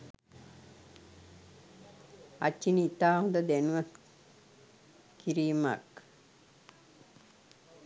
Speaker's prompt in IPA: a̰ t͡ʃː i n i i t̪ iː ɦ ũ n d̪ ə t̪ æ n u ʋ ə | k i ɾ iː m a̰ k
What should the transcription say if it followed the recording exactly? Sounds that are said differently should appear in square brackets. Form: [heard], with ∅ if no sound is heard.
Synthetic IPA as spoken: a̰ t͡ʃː i n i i t̪ [aː] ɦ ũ n d̪ ə [d̪] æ n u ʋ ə | k i ɾ iː m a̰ k